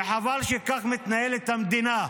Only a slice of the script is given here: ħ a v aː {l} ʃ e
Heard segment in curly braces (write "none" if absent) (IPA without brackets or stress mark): l